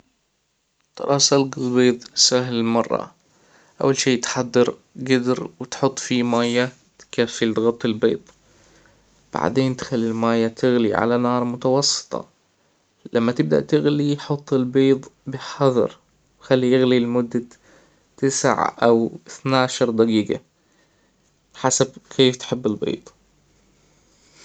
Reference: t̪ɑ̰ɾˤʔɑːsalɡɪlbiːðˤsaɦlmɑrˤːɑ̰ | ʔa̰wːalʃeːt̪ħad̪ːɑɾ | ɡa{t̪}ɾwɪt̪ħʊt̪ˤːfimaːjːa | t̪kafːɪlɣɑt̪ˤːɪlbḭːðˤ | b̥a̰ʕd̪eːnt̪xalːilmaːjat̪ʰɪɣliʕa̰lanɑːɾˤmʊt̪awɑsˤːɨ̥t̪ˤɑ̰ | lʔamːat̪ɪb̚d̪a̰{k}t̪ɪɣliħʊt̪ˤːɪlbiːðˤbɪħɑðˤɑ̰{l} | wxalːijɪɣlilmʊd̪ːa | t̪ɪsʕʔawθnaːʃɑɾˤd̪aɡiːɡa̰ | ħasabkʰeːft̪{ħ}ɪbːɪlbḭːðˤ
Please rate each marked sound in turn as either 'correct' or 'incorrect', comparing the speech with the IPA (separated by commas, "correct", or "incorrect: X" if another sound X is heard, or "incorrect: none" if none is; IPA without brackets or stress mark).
incorrect: d̪, incorrect: ʔ, incorrect: ɾ, correct